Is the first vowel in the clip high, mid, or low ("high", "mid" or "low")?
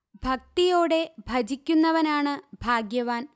low